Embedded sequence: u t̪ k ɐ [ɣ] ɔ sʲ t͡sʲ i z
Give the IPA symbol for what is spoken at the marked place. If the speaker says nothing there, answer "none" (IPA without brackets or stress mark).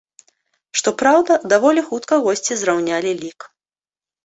ɣ